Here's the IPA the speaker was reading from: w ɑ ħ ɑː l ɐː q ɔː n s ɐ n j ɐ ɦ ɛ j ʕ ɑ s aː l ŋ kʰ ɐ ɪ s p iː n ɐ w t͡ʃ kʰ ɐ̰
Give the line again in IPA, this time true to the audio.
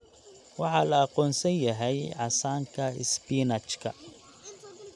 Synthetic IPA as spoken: w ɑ ħ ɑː l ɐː q ɔː n s ɐ n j ɐ ɦ ɛ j ʕ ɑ s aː ŋ kʰ ɐ ɪ s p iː n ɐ t͡ʃ kʰ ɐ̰